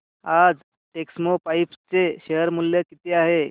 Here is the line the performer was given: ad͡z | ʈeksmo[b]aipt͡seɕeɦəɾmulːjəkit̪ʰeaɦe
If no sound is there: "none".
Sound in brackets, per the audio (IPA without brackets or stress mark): p